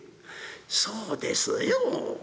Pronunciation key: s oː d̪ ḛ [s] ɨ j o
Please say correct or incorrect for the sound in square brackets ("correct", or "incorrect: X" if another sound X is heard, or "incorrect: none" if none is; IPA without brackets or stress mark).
correct